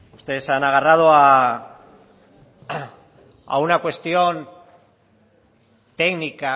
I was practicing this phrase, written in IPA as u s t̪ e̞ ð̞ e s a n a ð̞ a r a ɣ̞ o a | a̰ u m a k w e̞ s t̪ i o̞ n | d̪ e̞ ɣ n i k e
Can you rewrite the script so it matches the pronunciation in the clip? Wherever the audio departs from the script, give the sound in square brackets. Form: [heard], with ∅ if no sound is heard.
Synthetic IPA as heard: u s t̪ e̞ ð̞ e s a n a [ɣ̞] a r a [ð̞] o a | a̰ u [n] a k w e̞ s t̪ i o̞ n | [t̪] e̞ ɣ n i k [a]

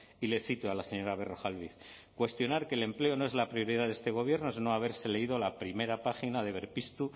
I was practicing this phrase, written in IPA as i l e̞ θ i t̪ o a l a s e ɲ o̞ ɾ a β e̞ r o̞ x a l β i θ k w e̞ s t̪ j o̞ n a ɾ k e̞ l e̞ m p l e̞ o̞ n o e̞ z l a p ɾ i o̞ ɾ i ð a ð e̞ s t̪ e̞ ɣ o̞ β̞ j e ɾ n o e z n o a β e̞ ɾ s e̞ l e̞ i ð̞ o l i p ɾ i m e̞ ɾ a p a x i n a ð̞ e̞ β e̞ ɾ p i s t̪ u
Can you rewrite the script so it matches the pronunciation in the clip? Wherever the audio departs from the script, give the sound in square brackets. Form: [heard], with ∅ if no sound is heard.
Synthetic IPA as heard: i l e̞ θ i t̪ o a l a s e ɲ o̞ ɾ a β e̞ r o̞ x a l β i θ k w e̞ s t̪ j o̞ n a ɾ k e̞ l e̞ m p l e̞ o̞ n o e̞ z l a p ɾ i o̞ ɾ i ð a ð e̞ s t̪ e̞ ɣ o̞ β̞ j e ɾ n o e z n o a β e̞ ɾ s e̞ l e̞ i ð̞ o l [a] p ɾ i m e̞ ɾ a p a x i n a ð̞ e̞ β e̞ ɾ p i s t̪ u

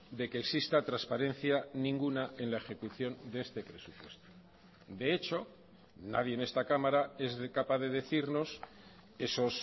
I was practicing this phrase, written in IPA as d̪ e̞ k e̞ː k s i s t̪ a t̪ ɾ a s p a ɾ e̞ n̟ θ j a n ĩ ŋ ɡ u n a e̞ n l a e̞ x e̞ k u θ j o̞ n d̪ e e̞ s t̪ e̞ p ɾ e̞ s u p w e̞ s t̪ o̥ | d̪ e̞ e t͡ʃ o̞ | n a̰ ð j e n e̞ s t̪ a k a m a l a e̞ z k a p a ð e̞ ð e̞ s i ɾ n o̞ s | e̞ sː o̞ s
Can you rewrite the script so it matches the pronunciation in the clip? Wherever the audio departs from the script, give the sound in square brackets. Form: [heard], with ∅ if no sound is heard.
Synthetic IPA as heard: d̪ e̞ k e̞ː k s i s t̪ a t̪ ɾ a s p a ɾ e̞ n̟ θ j a n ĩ ŋ ɡ u n a e̞ n l a e̞ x e̞ k u θ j o̞ n d̪ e e̞ s t̪ e̞ p ɾ e̞ s u p w e̞ s t̪ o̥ | d̪ e̞ e t͡ʃ o̞ | n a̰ ð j e n e̞ s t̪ a k a m a [ɾ] a e̞ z k a p a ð e̞ ð e̞ [θ] i ɾ n o̞ s | e̞ [s] o̞ s

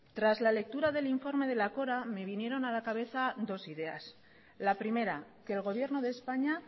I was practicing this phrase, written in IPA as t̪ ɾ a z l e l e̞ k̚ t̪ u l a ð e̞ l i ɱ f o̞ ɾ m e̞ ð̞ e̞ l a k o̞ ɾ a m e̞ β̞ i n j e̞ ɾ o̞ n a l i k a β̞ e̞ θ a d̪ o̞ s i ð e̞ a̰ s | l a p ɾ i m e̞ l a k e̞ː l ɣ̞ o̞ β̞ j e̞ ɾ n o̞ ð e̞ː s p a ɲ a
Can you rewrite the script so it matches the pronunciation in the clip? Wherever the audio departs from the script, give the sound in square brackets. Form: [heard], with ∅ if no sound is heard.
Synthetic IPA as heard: t̪ ɾ a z l [a] l e̞ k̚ t̪ u [ɾ] a ð e̞ l i ɱ f o̞ ɾ m e̞ ð̞ e̞ l a k o̞ ɾ a m e̞ β̞ i n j e̞ ɾ o̞ n a l [a] k a β̞ e̞ θ a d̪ o̞ s i ð e̞ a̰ s | l a p ɾ i m e̞ [ɾ] a k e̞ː l ɣ̞ o̞ β̞ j e̞ ɾ n o̞ ð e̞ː s p a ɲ a

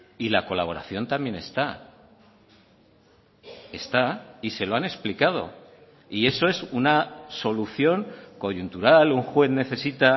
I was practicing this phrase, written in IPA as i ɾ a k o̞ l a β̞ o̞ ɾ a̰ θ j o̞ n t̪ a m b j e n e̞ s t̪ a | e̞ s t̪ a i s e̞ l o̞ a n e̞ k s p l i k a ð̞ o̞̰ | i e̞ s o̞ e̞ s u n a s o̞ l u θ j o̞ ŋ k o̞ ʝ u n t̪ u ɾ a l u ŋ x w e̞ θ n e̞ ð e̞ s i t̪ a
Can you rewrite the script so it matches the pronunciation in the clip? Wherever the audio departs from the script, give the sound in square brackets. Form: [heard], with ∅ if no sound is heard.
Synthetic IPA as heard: i [l] a k o̞ l a β̞ o̞ ɾ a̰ θ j o̞ n t̪ a m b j e n e̞ s t̪ a | e̞ s t̪ a i s e̞ l o̞ a n e̞ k s p l i k a ð̞ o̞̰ | i e̞ s o̞ e̞ s u n a s o̞ l u θ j o̞ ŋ k o̞ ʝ u n t̪ u ɾ a l u ŋ x w e̞ θ n e̞ [θ] e̞ s i t̪ a

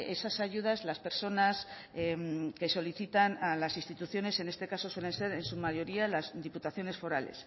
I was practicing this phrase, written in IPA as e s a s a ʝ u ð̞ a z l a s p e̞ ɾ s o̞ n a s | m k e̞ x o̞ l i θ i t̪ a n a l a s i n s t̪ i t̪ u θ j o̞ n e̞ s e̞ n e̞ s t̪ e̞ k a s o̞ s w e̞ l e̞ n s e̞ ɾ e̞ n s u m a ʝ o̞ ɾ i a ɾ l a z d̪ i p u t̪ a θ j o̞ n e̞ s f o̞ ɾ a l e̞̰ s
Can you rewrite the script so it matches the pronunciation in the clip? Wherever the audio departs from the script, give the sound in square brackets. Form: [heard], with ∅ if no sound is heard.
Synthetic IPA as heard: e s a s a ʝ u ð̞ a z l a s p e̞ ɾ s o̞ n a s | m k e̞ [s] o̞ l i θ i t̪ a n a l a s i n s t̪ i t̪ u θ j o̞ n e̞ s e̞ n e̞ s t̪ e̞ k a s o̞ s w e̞ l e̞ n s e̞ ɾ e̞ n s u m a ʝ o̞ ɾ i a [∅] l a z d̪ i p u t̪ a θ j o̞ n e̞ s f o̞ ɾ a l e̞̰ s

